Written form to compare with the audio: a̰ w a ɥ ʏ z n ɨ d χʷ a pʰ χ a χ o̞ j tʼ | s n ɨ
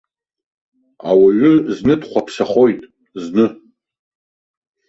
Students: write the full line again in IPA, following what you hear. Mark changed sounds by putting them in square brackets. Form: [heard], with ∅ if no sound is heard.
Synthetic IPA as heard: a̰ w a ɥ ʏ z n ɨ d χʷ a pʰ [s] a χ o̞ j tʼ | [z] n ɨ